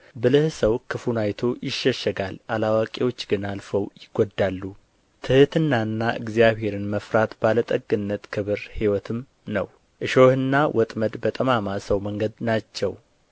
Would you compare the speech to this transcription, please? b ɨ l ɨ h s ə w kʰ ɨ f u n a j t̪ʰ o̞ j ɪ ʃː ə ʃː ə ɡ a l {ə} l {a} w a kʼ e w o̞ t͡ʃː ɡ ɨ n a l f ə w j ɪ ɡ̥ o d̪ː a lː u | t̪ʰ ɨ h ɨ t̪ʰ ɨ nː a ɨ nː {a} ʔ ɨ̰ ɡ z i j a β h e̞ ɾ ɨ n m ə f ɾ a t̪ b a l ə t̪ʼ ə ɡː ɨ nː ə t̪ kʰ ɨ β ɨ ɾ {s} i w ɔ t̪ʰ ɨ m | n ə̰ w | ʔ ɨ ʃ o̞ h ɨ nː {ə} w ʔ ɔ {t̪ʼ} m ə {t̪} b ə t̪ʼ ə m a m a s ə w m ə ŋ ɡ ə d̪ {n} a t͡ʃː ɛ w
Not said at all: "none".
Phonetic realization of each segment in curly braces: a, a, a, h, a, t̪ʼ, d̪, n

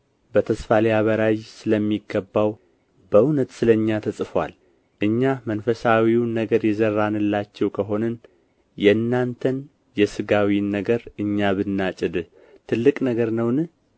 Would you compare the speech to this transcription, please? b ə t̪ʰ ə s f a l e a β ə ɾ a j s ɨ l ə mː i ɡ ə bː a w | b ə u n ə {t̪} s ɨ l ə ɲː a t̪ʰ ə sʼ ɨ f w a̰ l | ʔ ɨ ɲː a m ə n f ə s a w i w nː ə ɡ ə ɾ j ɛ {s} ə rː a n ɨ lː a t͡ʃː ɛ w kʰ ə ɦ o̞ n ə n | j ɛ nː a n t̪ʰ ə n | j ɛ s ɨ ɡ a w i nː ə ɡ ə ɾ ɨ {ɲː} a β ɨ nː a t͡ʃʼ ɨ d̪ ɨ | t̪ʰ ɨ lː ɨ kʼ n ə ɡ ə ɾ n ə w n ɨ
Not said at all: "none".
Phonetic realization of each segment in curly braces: t̪, z, ɲː

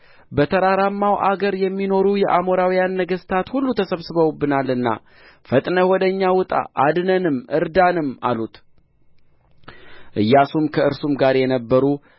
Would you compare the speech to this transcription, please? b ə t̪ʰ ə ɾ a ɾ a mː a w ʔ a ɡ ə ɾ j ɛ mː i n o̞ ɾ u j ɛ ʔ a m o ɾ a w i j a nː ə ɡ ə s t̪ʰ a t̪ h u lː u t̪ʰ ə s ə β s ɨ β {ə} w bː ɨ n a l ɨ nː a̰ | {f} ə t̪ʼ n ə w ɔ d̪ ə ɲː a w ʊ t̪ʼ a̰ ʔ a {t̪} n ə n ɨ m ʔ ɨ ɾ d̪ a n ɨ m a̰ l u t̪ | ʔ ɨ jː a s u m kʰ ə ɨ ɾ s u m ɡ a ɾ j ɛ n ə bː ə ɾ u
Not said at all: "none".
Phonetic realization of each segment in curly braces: ə, f, d̪

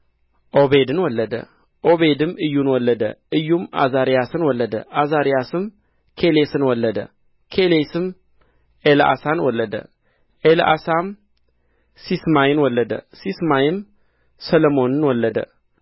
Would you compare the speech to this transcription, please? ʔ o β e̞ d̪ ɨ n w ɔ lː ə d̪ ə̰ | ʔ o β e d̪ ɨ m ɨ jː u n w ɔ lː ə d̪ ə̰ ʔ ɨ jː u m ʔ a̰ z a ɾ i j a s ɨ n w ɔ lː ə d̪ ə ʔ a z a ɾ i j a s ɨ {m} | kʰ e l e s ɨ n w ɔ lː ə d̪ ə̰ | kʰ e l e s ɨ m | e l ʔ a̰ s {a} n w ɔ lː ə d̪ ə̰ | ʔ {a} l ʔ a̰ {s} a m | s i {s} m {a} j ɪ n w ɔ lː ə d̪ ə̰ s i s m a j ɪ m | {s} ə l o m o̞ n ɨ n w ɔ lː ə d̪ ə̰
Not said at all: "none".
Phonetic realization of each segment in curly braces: m, a, e, s, s, a, s

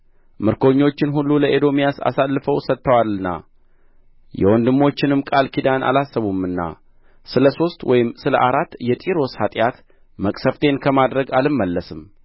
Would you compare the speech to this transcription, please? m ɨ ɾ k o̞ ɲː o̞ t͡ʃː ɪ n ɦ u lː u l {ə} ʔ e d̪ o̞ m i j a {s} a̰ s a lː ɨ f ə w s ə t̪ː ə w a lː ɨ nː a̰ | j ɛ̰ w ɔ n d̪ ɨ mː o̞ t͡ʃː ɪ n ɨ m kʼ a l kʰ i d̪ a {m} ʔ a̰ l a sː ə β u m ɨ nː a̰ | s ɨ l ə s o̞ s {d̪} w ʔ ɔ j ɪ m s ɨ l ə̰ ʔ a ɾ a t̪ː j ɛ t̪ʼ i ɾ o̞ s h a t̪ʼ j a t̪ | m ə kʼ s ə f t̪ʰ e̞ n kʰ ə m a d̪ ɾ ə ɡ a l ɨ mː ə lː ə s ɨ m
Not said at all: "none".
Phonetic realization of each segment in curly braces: ə, s, n, t̪

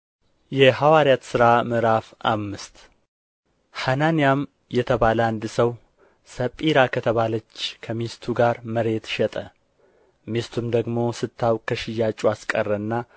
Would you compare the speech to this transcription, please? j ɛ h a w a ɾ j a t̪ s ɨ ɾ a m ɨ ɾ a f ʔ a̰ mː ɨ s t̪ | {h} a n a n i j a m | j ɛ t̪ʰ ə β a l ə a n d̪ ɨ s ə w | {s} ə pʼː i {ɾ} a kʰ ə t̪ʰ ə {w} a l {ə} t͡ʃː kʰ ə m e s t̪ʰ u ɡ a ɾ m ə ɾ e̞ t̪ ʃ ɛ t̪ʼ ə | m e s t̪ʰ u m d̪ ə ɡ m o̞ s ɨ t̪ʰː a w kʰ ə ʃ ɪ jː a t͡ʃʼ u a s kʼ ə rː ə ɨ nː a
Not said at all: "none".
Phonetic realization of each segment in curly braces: h, s, ɾ, β, ə

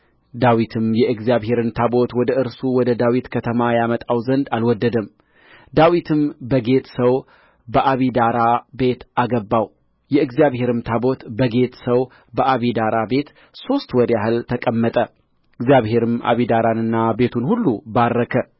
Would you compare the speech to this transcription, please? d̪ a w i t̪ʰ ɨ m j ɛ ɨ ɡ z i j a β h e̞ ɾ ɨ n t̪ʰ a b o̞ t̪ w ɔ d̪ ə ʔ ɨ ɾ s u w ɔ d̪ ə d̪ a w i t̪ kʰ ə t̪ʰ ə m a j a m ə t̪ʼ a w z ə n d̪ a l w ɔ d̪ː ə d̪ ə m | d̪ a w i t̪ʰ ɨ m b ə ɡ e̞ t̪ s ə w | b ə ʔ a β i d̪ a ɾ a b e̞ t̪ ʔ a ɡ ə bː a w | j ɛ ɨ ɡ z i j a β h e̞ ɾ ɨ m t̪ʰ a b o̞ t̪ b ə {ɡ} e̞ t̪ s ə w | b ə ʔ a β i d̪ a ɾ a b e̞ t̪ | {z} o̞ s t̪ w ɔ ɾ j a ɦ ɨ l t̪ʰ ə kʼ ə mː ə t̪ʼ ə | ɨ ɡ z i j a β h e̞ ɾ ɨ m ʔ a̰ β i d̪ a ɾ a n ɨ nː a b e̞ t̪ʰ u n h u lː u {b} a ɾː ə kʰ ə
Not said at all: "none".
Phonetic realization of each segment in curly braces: ɡ, s, b

